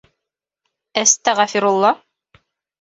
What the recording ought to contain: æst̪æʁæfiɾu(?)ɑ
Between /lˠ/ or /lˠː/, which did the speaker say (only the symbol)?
lˠː